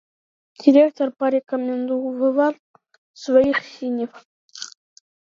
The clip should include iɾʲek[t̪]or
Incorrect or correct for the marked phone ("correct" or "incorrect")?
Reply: correct